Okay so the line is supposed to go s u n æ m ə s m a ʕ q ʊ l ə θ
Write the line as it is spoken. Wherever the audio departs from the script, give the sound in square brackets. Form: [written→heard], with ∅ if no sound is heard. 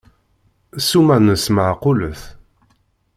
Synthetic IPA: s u [n→m] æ [m→n] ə s m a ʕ q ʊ l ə θ